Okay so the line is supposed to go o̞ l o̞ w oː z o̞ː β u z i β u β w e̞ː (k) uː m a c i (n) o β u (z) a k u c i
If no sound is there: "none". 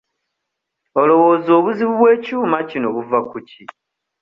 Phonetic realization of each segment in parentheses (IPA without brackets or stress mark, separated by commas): c, n, v